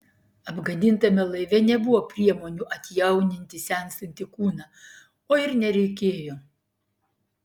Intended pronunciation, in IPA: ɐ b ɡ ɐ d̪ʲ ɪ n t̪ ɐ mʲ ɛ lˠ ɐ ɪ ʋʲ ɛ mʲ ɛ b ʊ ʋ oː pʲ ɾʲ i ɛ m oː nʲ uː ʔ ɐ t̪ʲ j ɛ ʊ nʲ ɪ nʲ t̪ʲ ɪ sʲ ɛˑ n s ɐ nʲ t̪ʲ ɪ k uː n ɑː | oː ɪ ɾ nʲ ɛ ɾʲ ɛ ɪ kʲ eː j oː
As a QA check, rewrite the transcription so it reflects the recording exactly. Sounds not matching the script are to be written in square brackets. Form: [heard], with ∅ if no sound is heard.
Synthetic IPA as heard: ɐ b ɡ ɐ d̪ʲ ɪ n t̪ ɐ mʲ ɛ lˠ ɐ ɪ ʋʲ ɛ [nʲ] ɛ b ʊ ʋ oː pʲ ɾʲ i ɛ m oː nʲ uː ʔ ɐ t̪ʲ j ɛ ʊ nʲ ɪ nʲ t̪ʲ ɪ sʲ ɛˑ n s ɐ nʲ t̪ʲ ɪ k uː n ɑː | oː ɪ ɾ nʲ ɛ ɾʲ ɛ ɪ kʲ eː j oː